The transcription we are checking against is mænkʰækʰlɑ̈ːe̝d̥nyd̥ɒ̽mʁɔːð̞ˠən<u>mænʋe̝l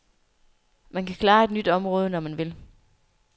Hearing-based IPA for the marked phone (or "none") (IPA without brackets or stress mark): ɒ